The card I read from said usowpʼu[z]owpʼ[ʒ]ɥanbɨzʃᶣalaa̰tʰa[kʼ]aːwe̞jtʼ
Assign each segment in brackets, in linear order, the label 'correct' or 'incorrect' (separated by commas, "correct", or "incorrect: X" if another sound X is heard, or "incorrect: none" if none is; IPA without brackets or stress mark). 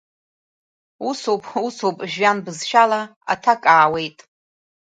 incorrect: s, correct, correct